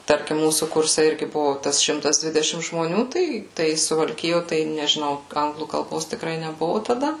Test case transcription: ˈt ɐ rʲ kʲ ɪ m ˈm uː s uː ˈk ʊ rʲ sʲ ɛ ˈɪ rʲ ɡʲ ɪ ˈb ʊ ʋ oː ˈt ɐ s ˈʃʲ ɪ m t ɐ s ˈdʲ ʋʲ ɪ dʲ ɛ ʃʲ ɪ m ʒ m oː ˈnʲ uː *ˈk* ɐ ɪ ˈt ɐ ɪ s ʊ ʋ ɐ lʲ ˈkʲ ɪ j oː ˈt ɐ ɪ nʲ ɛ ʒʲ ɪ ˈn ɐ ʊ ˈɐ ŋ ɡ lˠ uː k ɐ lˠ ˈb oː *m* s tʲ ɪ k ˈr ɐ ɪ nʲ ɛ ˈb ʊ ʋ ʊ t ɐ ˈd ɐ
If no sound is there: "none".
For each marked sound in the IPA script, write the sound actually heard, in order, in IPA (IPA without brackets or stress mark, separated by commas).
t, none